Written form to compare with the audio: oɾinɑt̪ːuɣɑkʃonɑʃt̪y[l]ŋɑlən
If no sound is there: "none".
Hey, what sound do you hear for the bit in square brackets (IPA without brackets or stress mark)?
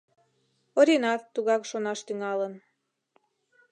none